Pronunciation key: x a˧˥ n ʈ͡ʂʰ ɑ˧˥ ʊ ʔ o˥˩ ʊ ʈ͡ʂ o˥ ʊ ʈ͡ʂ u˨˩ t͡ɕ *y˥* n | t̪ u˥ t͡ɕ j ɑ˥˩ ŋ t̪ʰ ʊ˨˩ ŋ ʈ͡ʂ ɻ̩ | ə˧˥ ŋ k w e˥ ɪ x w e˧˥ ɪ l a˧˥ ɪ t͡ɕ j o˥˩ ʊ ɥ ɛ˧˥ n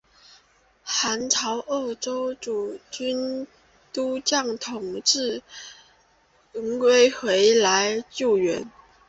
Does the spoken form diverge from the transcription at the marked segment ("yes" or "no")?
no